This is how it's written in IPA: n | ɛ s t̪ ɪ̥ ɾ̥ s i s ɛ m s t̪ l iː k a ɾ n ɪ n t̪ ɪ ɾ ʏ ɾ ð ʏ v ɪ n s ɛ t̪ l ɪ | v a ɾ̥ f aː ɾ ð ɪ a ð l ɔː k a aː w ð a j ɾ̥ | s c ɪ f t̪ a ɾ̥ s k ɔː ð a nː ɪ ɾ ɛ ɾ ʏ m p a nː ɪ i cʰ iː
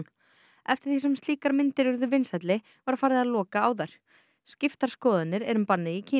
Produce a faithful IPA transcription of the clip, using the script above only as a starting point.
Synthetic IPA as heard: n | ɛ f t̪ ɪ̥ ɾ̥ θ i s ɛ m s t̪ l iː k a ɾ m ɪ n t̪ ɪ ɾ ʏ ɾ ð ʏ v ɪ n s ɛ t̪ l ɪ | v a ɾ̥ f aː ɾ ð ɪ a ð l ɔː k a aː w ð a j ɾ̥ | s c ɪ f t̪ a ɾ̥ s k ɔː ð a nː ɪ ɾ ɛ ɾ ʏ m p a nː ɪ i cʰ iː